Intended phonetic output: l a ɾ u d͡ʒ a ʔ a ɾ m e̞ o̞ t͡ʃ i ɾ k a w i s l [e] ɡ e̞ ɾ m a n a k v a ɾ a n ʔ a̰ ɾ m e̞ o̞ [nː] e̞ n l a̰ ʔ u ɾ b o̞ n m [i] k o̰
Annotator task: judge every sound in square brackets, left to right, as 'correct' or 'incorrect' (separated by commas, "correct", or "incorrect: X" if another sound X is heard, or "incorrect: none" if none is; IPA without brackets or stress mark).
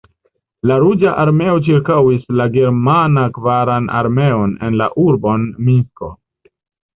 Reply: incorrect: a, incorrect: n, correct